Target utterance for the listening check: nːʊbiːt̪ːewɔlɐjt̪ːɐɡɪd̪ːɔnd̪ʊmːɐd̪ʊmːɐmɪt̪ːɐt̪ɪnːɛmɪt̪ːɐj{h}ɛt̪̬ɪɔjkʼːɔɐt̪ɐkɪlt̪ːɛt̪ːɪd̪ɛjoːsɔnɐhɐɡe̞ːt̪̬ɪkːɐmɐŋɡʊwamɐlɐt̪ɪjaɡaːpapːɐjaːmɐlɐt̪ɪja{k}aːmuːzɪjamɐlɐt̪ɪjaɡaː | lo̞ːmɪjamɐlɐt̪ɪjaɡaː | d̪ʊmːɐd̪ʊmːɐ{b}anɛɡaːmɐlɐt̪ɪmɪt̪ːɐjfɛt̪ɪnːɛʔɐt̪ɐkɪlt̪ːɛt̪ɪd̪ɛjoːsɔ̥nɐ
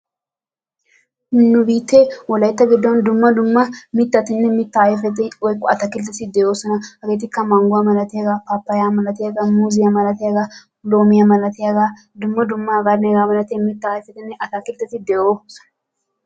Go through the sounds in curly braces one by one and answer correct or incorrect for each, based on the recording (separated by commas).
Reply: incorrect, incorrect, incorrect